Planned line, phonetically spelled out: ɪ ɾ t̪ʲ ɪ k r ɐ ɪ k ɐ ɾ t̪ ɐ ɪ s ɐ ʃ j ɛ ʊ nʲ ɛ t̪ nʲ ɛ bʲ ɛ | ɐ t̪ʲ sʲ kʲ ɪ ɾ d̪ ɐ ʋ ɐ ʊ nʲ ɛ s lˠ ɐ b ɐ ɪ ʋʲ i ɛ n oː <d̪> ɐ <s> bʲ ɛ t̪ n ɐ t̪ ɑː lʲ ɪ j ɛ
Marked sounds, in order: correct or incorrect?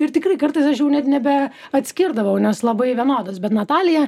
correct, correct

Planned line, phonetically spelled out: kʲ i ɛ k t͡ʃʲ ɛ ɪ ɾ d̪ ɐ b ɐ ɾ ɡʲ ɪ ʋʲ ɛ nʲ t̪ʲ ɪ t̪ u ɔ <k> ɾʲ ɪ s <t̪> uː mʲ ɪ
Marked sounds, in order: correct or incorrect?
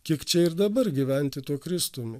correct, correct

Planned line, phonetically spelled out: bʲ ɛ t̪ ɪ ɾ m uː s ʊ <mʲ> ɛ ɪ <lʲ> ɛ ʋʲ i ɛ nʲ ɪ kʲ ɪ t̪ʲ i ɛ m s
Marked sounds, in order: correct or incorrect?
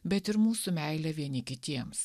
correct, correct

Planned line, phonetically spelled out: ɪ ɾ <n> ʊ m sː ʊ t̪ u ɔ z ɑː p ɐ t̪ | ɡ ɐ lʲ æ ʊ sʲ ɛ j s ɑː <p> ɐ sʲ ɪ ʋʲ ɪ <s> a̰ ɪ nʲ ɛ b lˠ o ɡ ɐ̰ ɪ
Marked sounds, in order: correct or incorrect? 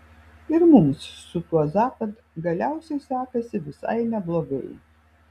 incorrect: m, incorrect: k, correct

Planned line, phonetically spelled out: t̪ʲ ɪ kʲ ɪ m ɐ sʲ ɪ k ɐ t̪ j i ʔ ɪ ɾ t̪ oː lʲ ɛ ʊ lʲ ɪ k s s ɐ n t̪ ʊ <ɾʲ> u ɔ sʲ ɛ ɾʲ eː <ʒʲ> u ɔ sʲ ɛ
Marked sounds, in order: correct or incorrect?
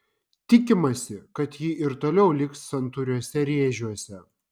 correct, correct

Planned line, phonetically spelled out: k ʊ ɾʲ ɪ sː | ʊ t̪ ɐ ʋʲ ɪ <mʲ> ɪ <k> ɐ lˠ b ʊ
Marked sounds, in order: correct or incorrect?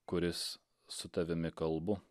correct, correct

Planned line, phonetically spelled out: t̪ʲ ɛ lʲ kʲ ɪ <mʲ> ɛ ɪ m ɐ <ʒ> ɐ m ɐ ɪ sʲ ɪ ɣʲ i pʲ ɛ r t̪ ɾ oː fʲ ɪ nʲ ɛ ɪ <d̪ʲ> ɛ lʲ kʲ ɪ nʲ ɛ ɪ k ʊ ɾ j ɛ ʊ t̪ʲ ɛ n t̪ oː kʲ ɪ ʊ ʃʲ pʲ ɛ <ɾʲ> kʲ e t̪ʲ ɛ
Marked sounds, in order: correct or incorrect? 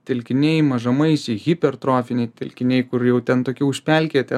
incorrect: nʲ, correct, incorrect: t̪ʲ, incorrect: lʲ

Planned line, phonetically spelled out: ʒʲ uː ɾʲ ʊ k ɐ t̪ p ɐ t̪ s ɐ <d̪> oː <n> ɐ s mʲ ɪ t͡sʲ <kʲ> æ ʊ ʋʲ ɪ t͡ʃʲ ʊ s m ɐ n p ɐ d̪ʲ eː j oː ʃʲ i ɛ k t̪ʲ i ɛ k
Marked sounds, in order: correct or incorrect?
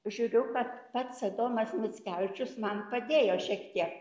correct, incorrect: m, correct

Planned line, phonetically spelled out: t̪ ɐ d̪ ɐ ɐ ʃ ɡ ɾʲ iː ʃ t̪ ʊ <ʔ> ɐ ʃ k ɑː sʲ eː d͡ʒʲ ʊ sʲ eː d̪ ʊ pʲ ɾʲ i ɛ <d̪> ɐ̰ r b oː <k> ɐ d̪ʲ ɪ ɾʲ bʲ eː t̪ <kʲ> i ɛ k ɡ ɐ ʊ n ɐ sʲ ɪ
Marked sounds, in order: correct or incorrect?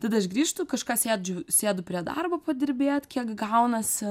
incorrect: k, correct, incorrect: p, correct

